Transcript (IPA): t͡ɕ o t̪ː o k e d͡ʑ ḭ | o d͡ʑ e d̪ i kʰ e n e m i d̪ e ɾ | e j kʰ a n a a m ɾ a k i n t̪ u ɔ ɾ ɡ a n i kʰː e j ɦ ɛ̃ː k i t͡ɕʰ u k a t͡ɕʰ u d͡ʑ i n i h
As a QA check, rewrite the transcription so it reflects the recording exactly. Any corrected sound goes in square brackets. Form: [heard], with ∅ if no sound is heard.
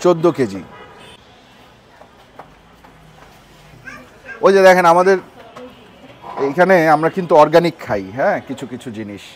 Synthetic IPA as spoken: t͡ɕ o [d̪ː] o k e d͡ʑ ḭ | o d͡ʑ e d̪ [ɛ] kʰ e n [a] m [a] d̪ e ɾ | e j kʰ a n [e] a m ɾ a k i n t̪ u ɔ ɾ ɡ a n i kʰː [a] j ɦ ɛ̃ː k i t͡ɕʰ u k [i] t͡ɕʰ u d͡ʑ i n i [ʃ]